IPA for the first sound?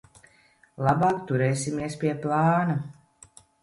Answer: lˠ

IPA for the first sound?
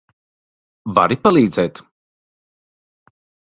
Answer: v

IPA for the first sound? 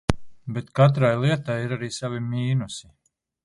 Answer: b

